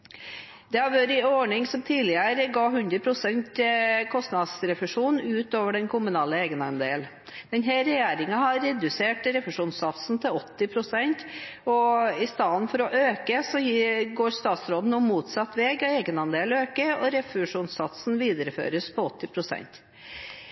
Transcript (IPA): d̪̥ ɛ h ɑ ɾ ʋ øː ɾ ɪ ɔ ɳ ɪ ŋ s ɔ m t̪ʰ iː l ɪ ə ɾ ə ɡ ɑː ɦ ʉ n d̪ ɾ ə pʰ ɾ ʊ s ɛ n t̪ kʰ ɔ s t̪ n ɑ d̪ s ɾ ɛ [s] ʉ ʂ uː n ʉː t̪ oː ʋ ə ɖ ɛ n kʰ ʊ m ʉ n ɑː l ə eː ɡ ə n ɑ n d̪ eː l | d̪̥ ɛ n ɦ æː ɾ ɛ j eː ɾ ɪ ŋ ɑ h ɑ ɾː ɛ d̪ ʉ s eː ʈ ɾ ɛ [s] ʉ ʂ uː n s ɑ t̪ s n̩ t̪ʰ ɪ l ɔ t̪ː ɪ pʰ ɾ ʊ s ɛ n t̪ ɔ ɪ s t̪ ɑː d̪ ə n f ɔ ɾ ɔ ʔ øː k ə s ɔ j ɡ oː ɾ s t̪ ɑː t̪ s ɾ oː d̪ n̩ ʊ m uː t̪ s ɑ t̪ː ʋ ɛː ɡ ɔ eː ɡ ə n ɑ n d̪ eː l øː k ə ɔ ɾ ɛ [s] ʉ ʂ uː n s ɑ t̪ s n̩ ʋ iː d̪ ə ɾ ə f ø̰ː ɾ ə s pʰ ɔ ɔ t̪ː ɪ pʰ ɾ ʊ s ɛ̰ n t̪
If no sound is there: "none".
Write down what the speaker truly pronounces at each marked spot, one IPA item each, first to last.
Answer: f, f, f

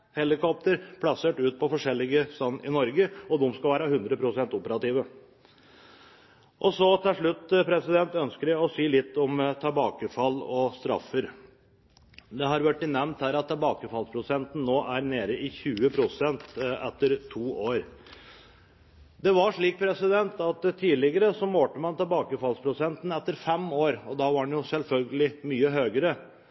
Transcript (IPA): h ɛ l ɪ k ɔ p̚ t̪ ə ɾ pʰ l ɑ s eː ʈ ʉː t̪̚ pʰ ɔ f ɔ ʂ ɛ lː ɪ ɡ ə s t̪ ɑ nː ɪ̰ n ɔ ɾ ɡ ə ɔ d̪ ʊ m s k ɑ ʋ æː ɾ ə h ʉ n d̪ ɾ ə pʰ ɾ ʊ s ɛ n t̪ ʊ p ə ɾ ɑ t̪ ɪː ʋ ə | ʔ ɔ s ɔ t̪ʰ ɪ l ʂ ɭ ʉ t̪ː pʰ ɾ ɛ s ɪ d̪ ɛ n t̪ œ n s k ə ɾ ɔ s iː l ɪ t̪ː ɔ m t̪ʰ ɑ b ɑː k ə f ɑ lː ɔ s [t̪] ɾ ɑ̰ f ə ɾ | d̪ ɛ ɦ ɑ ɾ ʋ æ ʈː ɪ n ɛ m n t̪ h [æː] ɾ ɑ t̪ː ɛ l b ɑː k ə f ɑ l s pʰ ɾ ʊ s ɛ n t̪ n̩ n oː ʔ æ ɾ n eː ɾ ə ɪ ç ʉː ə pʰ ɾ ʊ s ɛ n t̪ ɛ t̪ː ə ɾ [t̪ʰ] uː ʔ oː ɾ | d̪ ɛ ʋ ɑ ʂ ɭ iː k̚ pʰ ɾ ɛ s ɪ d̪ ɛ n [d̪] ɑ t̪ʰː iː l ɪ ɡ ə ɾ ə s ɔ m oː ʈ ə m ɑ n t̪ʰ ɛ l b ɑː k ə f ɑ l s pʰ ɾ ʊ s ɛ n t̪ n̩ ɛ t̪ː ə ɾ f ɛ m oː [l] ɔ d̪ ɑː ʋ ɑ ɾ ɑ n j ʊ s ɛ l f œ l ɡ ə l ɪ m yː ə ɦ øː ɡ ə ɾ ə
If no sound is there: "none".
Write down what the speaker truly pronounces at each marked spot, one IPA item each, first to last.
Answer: t̪, æː, t̪ʰ, t̪, ɾ

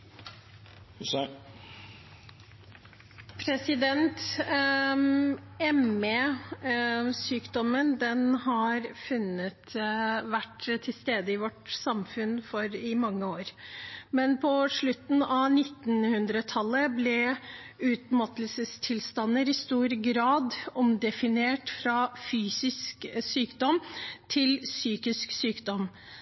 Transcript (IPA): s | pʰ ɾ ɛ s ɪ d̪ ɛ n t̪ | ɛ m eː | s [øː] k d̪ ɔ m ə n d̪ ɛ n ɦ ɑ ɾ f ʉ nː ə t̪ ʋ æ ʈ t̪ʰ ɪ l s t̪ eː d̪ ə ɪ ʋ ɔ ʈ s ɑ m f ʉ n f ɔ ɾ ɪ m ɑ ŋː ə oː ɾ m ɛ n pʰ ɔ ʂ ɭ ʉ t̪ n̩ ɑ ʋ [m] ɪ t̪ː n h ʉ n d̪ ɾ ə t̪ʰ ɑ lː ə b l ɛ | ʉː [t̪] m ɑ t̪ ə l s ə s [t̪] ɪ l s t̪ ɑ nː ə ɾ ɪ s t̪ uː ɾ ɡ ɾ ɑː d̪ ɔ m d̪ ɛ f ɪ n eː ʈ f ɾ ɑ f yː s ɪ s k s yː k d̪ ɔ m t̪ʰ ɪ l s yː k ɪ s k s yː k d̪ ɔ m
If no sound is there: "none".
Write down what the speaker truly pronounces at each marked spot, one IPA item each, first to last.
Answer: yː, n, t̪, t̪ʰ

